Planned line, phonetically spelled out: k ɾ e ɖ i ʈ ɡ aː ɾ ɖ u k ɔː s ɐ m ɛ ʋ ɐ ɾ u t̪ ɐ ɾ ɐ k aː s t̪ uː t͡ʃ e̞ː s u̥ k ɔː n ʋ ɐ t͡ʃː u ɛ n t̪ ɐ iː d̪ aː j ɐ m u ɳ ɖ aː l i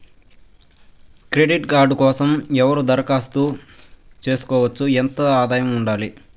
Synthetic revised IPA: k ɾ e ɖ i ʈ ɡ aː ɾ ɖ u k ɔː s ɐ m ɛ ʋ ɐ ɾ u d̪ ɐ ɾ ɐ k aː s t̪ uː t͡ʃ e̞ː s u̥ k ɔː ʋ ɐ t͡ʃː u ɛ n t̪ ɐ aː d̪ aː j ɐ m u ɳ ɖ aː l i